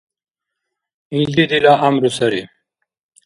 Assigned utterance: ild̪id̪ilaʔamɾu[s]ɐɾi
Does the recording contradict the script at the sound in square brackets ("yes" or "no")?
no